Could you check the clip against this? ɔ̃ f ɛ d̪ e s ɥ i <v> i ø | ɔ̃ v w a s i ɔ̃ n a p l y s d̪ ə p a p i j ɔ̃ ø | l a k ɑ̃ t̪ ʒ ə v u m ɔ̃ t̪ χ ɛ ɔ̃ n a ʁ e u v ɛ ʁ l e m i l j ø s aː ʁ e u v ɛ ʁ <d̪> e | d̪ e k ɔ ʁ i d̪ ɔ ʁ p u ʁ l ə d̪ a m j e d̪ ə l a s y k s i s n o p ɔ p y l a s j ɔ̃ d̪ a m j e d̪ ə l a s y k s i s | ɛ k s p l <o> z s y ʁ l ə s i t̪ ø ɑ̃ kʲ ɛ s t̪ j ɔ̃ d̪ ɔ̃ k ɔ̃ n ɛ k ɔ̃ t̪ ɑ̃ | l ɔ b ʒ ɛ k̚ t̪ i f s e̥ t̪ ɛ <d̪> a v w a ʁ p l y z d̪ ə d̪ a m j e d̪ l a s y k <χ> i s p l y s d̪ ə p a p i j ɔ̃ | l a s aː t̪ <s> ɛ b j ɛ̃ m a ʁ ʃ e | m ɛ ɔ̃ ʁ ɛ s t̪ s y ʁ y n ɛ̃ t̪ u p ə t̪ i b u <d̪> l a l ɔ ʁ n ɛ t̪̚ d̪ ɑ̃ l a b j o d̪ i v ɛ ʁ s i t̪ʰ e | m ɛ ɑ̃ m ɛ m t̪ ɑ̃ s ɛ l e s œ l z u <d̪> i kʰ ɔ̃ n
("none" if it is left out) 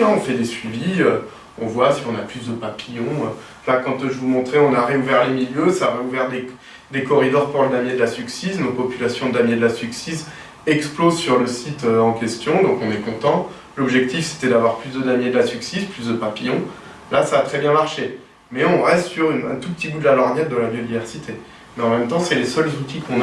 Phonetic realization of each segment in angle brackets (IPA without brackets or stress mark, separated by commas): v, d̪, o, d̪, s, χ, d̪, t̪